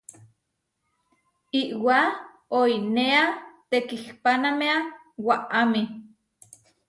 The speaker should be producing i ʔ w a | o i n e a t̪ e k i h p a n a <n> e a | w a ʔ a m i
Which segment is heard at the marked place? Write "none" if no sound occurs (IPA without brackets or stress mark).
m